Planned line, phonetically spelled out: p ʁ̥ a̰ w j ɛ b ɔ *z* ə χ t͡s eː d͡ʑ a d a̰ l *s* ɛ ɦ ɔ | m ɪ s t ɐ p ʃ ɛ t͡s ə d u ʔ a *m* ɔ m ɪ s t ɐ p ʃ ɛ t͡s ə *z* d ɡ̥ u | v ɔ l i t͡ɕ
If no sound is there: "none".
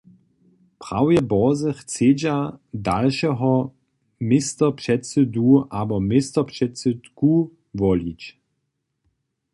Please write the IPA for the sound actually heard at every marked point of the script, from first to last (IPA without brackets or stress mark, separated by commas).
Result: z, ʃ, b, none